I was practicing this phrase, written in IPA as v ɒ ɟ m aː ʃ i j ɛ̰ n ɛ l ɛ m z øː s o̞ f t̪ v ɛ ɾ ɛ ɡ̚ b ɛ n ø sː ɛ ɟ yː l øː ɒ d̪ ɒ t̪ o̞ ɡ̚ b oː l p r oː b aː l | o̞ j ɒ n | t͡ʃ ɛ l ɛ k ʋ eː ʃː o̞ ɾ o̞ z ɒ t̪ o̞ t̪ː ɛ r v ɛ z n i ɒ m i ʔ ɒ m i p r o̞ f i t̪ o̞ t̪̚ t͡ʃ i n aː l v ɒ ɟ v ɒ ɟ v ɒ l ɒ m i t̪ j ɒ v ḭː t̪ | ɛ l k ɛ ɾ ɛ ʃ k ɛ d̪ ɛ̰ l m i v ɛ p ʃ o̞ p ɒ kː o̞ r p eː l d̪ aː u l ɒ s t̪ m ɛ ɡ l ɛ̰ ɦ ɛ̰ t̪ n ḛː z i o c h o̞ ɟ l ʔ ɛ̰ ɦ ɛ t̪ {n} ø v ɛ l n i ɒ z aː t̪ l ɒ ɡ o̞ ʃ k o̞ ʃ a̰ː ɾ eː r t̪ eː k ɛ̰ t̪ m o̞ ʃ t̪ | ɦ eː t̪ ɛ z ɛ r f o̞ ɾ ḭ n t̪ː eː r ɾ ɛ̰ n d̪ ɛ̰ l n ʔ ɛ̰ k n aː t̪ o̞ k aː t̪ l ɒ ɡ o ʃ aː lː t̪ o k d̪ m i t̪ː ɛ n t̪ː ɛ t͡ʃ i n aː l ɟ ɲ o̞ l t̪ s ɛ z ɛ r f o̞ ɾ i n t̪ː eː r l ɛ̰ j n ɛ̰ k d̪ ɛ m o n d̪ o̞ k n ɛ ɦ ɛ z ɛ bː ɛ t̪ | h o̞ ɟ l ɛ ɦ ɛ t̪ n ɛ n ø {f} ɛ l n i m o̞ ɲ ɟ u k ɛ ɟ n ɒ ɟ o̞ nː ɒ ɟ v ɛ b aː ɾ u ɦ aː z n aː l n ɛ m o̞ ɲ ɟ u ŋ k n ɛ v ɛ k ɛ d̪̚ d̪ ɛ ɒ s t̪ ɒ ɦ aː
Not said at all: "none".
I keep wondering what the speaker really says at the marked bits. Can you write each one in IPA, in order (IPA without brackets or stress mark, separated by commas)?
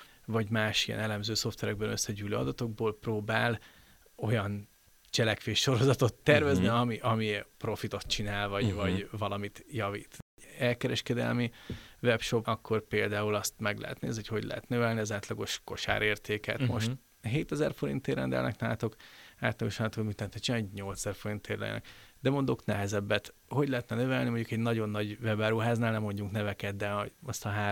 n, v